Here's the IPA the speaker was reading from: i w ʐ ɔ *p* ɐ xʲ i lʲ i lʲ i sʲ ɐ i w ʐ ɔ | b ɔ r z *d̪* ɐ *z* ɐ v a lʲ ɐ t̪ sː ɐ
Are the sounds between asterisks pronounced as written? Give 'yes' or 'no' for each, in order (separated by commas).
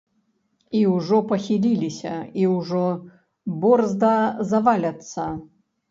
yes, yes, yes